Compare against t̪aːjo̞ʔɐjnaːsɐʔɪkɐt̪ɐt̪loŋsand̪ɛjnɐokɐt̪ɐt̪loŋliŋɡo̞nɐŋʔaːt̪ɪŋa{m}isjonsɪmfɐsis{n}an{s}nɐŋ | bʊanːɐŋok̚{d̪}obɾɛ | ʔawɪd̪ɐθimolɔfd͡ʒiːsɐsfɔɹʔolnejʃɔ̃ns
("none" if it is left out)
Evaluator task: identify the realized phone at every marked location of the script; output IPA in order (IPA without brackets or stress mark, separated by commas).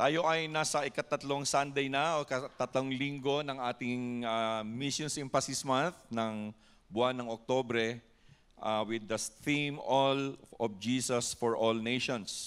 m, m, θ, t̪